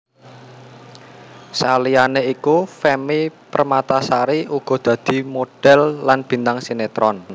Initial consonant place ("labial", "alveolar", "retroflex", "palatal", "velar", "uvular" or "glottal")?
alveolar